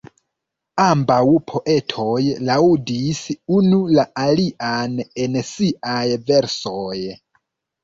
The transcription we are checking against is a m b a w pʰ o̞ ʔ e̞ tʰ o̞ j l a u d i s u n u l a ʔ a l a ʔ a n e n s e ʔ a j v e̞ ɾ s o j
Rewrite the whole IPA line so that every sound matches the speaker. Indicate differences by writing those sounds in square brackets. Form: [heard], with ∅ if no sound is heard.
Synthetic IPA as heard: a m b a w pʰ o̞ ʔ e̞ tʰ o̞ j l a u d i s u n u l a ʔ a l [i] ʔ a n e n s [i] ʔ a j v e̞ ɾ s o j